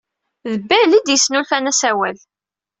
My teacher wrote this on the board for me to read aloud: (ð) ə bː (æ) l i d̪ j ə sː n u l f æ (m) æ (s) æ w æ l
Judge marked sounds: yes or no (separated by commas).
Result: yes, yes, no, yes